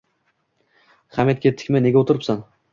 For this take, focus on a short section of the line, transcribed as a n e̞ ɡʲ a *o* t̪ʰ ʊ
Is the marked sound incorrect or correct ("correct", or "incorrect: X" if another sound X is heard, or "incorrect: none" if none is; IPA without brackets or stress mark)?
correct